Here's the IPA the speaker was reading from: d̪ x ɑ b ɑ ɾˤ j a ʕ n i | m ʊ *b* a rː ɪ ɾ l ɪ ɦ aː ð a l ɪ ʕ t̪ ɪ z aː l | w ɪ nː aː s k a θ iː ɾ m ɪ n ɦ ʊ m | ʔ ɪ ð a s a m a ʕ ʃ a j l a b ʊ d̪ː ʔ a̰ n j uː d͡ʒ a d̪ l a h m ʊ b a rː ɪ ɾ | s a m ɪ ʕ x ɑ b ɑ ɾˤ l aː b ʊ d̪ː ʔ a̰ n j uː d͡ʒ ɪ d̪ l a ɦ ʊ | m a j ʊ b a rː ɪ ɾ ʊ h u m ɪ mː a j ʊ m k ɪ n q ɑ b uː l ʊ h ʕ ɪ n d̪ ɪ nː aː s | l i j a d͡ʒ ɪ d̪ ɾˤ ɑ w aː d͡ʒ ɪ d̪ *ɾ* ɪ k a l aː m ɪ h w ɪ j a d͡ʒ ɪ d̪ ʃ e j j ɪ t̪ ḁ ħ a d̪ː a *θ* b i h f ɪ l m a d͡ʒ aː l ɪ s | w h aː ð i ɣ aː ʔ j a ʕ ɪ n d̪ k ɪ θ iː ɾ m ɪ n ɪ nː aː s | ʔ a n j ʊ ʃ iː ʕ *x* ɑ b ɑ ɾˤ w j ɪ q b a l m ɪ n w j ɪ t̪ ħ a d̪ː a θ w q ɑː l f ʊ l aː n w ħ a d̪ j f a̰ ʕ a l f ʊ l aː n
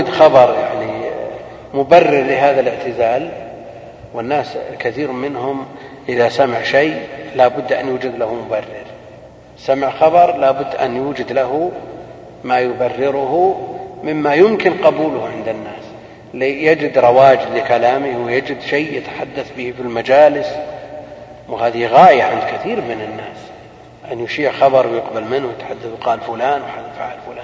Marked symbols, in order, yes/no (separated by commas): yes, no, yes, yes